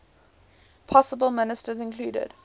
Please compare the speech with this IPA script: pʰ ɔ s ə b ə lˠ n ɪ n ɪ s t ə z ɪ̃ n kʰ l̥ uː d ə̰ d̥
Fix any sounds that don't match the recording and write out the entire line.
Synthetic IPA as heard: pʰ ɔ s ə b ə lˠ m ɪ n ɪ s t ə z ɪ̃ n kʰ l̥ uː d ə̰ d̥